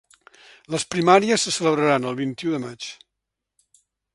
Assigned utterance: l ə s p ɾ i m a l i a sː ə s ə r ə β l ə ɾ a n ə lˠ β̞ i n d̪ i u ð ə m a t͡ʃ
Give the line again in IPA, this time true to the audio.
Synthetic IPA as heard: l ə s p ɾ i m a ɾ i ə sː ə s ə l ə β ɾ ə ɾ a n ə lˠ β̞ i n t̪ i u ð ə m a t͡ʃ

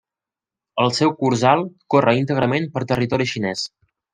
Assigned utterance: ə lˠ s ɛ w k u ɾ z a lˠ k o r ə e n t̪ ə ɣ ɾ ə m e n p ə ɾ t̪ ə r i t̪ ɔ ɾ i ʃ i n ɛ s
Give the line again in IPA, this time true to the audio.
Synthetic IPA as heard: ə lˠ s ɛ w k u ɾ z a lˠ k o r ə i n t̪ ə ɣ ɾ ə m e n p ə ɾ t̪ ə r i t̪ ɔ ɾ i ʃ i n ɛ s

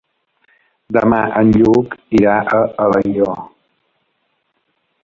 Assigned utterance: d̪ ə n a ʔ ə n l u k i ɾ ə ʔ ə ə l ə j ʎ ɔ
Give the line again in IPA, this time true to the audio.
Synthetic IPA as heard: d̪ ə m a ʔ ə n ʎ u k i ɾ a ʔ ə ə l ə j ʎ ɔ

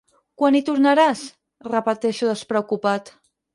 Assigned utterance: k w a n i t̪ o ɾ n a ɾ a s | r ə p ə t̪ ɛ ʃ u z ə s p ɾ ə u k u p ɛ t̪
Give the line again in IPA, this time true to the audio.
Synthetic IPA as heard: k w a n i t̪ u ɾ n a ɾ a s | r ə p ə t̪ ɛ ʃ u ð ə s p ɾ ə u k u p a t̪

